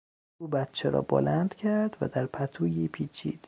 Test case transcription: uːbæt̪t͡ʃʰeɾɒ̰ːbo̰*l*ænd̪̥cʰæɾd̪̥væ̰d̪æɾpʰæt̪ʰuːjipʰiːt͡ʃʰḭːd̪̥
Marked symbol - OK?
yes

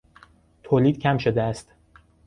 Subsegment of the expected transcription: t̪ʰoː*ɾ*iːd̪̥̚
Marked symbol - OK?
no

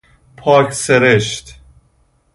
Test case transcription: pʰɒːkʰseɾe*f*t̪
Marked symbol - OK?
no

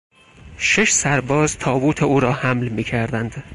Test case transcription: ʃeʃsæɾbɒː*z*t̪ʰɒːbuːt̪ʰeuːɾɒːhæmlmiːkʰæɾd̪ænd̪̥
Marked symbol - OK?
yes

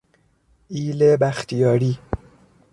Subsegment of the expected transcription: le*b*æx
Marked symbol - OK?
yes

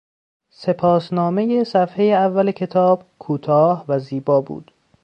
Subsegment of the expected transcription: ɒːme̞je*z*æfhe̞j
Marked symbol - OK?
no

